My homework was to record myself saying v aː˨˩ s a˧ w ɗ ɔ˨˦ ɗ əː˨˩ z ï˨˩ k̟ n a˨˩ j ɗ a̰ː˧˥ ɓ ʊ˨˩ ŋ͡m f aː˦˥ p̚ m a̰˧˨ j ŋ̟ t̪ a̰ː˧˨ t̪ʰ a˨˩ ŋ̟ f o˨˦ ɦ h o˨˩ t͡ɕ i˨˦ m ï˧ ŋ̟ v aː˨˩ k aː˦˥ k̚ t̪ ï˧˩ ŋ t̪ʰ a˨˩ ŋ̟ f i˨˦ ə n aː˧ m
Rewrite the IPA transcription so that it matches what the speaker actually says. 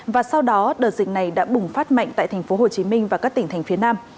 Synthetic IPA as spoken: v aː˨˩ s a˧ w ɗ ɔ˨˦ ɗ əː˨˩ z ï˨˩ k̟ n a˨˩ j ɗ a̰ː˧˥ ɓ ʊ˨˩ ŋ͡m f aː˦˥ t̚ m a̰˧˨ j ŋ̟ t̪ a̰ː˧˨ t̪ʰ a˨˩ ŋ̟ f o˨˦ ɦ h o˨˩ t͡ɕ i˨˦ m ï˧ ŋ̟ v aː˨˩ k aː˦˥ k̚ t̪ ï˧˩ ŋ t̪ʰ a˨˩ ŋ̟ f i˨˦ ə n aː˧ m